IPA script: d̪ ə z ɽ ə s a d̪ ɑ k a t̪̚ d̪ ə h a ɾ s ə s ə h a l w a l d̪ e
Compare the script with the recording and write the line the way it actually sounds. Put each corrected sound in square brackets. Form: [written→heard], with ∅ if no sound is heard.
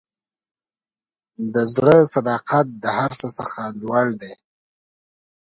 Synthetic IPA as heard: d̪ ə z ɽ ə s a d̪ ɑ [k→q] a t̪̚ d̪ ə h a ɾ s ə s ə [h→x] a l w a l d̪ e